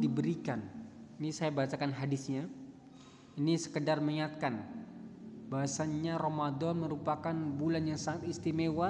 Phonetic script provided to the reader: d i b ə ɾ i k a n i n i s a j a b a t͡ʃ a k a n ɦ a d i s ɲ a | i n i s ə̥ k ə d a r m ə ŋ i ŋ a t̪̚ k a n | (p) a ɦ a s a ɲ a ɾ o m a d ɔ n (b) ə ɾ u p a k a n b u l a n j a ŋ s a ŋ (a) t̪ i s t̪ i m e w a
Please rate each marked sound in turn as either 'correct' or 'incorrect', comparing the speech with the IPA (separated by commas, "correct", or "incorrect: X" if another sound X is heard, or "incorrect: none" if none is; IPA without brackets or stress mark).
incorrect: b, incorrect: m, correct